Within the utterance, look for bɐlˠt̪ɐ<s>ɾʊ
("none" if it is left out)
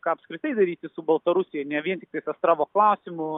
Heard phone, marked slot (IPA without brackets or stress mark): none